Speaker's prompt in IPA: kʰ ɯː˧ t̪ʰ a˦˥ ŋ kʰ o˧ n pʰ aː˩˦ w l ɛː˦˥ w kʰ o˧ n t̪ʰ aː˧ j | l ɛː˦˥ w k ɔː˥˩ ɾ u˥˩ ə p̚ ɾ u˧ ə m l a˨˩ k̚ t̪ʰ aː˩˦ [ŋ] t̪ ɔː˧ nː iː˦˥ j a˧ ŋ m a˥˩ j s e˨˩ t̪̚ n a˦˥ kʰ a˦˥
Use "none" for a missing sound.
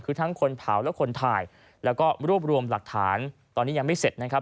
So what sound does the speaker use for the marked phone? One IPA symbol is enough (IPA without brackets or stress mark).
n